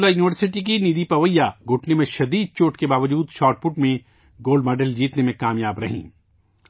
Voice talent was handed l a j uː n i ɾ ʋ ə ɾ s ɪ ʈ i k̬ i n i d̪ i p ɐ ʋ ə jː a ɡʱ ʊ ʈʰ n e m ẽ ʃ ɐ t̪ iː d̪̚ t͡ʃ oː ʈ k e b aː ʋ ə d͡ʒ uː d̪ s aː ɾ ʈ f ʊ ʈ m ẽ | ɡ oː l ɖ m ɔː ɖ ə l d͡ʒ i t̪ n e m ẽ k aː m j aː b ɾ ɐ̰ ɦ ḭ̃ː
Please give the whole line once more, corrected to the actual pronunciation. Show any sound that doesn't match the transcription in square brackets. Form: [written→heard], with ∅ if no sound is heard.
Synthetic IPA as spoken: l a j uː n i [ɾ→∅] ʋ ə ɾ s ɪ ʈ i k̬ i n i d̪ i p ɐ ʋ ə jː a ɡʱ ʊ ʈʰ n e m ẽ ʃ ɐ [t̪→d̪] iː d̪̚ t͡ʃ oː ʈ k e b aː ʋ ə d͡ʒ uː d̪ [s→ʃ] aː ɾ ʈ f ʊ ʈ m ẽ | ɡ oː l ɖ m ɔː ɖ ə l d͡ʒ [i→iː] t̪ n e m ẽ k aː m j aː b ɾ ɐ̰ ɦ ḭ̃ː